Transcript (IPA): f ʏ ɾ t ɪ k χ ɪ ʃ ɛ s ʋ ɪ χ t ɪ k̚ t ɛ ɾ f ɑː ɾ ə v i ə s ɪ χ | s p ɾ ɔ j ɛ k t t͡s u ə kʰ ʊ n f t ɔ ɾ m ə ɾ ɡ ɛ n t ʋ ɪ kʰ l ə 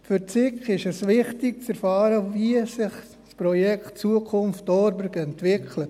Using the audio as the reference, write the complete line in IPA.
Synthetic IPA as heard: f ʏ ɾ t͡s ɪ k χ ɪ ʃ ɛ s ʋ ɪ χ t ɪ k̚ t͡s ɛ ɾ f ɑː ɾ ə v i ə s ɪ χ | s p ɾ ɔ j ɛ k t t͡s u ə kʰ ʊ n f t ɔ ɾ b ə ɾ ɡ ɛ n t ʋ ɪ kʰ l ə